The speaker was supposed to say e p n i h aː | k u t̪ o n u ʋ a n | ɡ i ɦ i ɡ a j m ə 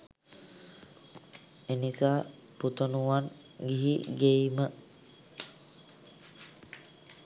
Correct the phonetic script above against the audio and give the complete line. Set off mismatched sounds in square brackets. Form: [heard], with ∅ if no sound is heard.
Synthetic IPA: e [∅] n i [s] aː | [p] u t̪ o n u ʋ a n | ɡ i ɦ i ɡ [e] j m ə